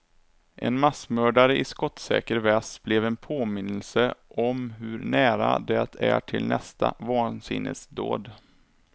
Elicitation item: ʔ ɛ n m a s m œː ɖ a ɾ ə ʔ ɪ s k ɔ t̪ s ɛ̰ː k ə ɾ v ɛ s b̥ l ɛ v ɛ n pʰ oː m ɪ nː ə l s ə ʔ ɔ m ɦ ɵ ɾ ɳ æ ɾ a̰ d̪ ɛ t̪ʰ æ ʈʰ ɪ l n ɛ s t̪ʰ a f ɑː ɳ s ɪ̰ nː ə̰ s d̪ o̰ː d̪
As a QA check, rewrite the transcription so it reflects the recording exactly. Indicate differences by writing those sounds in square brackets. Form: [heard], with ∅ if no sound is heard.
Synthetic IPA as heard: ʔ ɛ n m a s m œː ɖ a ɾ ə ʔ ɪ s k ɔ t̪ s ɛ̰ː k ə ɾ v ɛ s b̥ l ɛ v ɛ n pʰ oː m ɪ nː ə l s ə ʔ ɔ m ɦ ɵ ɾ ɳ [æː] ɾ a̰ d̪ ɛ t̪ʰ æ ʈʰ ɪ l n ɛ s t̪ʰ a [v] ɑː [n] s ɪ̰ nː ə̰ s d̪ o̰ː d̪